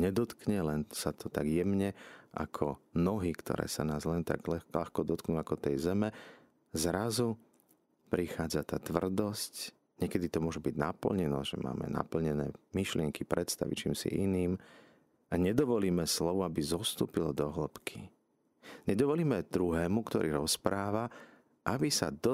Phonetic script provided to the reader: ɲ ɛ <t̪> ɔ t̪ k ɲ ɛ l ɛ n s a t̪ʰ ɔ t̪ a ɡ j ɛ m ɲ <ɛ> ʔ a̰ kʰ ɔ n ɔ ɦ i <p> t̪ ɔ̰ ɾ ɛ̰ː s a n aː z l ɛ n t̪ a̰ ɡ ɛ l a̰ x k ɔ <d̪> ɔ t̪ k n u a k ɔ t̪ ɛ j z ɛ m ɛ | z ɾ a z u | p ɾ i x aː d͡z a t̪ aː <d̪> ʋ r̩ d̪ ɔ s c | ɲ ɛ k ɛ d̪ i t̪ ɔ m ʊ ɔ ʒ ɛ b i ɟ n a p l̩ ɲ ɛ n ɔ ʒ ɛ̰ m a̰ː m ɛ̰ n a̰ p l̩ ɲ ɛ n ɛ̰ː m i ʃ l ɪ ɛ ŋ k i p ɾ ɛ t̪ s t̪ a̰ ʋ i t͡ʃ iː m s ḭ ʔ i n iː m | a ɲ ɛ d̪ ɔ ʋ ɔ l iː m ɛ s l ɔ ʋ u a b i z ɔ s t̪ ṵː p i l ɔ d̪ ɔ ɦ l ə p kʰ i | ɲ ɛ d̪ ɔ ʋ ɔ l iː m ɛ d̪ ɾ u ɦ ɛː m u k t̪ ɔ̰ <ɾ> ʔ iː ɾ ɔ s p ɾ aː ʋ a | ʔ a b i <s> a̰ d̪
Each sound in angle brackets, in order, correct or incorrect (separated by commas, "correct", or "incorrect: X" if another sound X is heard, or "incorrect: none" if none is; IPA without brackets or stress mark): incorrect: d̪, correct, incorrect: k, correct, incorrect: t̪, correct, correct